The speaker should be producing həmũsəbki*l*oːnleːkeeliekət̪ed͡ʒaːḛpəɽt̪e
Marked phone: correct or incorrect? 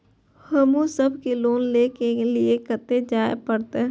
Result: correct